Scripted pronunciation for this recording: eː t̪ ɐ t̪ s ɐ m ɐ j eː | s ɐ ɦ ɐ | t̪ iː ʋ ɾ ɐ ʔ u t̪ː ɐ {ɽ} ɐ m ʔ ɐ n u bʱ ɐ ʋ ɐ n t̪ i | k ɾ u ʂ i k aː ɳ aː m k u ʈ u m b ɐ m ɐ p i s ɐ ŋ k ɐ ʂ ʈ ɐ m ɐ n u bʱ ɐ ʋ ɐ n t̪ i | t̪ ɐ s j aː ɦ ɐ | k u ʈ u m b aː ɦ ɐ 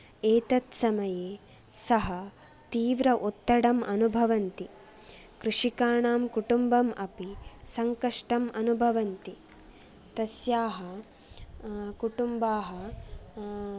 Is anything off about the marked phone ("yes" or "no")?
no